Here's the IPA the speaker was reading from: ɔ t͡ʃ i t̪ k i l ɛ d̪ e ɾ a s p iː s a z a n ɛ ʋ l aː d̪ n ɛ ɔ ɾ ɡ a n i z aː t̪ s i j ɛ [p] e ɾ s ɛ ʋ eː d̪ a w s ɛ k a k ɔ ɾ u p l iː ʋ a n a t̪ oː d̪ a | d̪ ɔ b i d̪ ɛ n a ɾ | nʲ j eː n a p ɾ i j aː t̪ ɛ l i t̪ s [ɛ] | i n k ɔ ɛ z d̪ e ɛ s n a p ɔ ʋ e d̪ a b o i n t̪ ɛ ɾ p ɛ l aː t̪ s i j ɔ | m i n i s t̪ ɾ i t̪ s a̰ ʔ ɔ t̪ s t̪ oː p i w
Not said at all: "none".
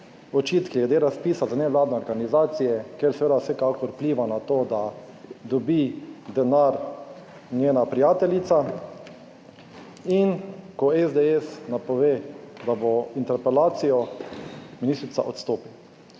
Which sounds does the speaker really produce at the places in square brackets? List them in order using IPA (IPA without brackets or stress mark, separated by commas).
k, a